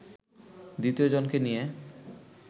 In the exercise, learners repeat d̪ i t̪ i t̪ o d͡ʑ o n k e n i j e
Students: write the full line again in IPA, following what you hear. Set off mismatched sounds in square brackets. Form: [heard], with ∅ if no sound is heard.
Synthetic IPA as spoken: d̪ i t̪ i [∅] o d͡ʑ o n k e n i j e